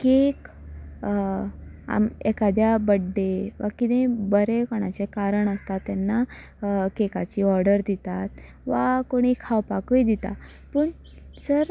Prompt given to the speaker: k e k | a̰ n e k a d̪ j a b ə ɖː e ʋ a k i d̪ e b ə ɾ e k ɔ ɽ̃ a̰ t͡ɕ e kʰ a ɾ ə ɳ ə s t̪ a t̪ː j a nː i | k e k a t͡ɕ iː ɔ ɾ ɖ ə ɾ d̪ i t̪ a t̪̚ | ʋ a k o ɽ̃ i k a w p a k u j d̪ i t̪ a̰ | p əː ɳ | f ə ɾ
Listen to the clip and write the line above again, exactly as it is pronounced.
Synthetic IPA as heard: k e k | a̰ m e k a d̪ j a b ə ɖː e ʋ a k i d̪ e b ə ɾ e k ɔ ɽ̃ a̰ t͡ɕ e k a ɾ ə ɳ ə s t̪ a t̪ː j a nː a | k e k a t͡ɕ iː ɔ ɾ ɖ ə ɾ d̪ i t̪ a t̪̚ | ʋ a k o ɽ̃ i kʰ a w p a k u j d̪ i t̪ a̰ | p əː ɳ | s ə ɾ